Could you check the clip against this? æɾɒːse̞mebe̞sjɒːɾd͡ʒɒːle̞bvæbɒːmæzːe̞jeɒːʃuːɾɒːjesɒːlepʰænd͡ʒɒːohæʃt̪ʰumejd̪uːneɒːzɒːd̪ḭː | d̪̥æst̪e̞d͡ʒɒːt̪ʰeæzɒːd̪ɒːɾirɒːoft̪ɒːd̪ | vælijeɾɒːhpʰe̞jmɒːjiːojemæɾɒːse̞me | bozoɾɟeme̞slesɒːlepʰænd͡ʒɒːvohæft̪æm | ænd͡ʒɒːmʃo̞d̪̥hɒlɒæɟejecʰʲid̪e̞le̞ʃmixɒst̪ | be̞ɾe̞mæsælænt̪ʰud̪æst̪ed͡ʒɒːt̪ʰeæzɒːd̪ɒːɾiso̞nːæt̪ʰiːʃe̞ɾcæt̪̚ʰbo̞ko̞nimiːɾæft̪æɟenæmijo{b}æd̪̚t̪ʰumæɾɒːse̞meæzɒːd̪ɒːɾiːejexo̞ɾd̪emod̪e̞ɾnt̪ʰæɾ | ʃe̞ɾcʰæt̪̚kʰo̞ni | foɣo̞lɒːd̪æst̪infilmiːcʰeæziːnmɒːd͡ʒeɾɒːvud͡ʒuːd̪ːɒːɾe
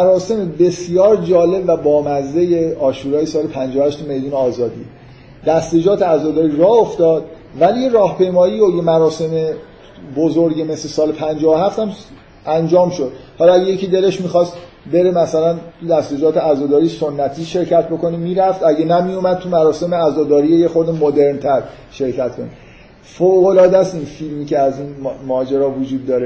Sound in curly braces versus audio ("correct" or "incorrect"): incorrect